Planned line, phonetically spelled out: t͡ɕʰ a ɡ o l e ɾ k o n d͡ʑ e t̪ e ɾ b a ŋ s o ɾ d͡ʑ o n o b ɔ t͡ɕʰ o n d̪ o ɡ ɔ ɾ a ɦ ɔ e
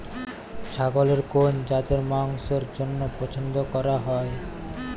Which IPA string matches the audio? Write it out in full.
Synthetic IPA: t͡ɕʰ a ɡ o l e ɾ k o n d͡ʑ a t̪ e ɾ m a ŋ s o ɾ d͡ʑ o nː o p ɔ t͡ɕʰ o n d̪ o k ɔ ɾ a ɦ ɔ e